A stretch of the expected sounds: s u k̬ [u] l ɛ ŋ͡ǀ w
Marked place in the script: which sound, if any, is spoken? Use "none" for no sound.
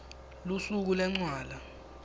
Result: u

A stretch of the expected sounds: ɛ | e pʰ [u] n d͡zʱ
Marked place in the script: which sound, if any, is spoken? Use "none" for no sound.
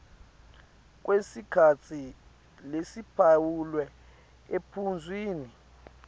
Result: u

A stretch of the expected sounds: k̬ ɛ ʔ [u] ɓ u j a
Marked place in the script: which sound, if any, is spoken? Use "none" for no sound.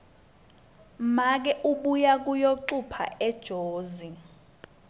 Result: u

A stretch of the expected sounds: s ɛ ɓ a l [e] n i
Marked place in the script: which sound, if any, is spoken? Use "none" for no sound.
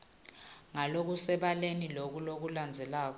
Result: e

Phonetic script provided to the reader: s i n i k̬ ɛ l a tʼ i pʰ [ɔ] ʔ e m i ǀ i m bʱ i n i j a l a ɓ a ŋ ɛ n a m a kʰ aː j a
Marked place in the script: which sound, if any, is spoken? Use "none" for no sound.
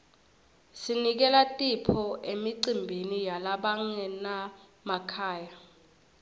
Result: ɔ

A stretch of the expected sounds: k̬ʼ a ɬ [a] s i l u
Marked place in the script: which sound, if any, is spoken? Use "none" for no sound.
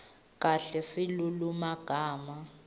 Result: ɛ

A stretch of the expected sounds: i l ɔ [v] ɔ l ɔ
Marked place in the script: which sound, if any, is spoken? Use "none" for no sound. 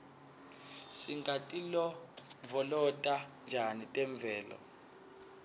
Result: v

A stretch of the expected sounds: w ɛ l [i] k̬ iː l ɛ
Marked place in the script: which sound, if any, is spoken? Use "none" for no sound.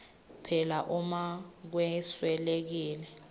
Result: e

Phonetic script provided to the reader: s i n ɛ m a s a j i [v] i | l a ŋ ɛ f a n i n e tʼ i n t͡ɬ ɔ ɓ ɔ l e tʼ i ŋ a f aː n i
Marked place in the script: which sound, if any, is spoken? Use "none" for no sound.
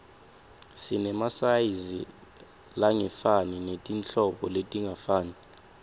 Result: z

